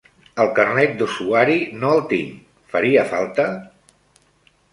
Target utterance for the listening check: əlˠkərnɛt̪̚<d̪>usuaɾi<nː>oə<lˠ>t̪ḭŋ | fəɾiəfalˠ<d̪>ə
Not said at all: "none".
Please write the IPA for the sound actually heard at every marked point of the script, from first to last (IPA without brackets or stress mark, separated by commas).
d̪, n, lˠ, t̪